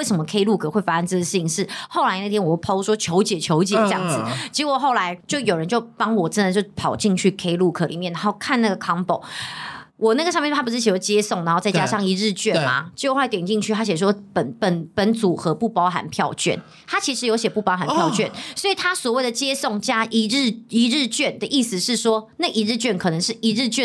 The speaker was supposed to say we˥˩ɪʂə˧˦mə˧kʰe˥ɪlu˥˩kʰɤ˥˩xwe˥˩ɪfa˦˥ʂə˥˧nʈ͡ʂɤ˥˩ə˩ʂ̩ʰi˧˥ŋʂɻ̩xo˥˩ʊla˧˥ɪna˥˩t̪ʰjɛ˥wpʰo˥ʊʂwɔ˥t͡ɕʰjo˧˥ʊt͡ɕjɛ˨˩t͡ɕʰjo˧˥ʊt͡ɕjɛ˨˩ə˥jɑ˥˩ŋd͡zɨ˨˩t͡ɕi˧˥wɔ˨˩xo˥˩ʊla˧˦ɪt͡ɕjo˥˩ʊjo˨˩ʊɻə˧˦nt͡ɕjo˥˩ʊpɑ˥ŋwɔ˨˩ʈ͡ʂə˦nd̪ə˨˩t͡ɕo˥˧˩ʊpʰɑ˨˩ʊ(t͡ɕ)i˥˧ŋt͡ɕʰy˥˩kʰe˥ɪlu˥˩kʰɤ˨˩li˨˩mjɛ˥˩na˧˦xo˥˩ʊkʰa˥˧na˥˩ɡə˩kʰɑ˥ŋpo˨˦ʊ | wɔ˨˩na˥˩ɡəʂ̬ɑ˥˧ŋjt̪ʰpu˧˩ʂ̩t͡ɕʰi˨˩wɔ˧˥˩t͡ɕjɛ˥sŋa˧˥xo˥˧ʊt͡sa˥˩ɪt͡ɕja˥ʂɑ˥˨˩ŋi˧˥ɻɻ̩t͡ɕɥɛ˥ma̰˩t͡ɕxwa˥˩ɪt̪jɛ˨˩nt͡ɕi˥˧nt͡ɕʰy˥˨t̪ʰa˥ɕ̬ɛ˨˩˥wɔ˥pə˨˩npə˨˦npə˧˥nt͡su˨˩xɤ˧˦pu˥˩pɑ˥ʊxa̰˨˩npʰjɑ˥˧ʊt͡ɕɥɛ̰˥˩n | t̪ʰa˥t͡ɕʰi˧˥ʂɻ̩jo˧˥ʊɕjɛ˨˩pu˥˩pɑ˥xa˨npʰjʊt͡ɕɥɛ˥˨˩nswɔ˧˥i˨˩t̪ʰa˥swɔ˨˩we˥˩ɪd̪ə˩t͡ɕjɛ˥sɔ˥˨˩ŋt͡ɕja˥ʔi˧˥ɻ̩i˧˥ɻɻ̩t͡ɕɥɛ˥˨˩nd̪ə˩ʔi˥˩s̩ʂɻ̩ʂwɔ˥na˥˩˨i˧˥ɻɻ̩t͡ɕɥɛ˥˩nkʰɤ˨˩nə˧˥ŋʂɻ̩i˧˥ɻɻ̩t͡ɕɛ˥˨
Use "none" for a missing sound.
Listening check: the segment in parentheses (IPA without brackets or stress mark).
t͡ɕ